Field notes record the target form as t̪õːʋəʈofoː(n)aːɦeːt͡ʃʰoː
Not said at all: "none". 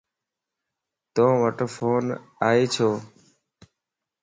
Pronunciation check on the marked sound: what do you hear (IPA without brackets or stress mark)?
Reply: n